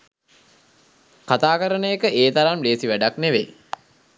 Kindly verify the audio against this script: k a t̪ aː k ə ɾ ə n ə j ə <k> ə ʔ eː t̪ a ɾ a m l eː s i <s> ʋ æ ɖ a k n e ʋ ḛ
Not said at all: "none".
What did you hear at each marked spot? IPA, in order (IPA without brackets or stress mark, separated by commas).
k, none